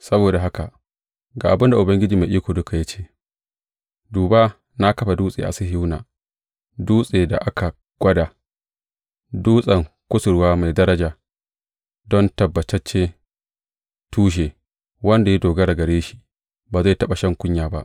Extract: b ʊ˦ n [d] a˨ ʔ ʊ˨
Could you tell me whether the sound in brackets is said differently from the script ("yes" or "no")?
no